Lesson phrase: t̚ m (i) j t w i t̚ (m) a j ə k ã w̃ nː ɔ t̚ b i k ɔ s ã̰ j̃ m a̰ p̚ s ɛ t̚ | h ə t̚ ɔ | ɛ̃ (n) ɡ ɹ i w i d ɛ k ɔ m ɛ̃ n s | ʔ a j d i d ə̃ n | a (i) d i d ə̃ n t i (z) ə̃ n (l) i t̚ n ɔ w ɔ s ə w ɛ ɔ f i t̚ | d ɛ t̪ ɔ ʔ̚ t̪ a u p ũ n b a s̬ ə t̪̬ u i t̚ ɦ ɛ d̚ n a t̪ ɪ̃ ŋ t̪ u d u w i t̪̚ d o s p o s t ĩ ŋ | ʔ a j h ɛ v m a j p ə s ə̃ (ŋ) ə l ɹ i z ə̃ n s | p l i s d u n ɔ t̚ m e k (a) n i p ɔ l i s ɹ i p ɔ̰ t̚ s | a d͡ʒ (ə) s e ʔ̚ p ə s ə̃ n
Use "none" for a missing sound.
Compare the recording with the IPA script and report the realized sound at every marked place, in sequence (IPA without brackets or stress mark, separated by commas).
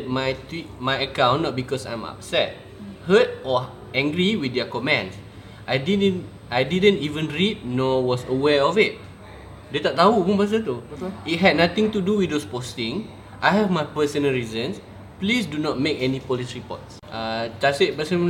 a, m, ŋ, j, v, ɹ, n, ɛ, a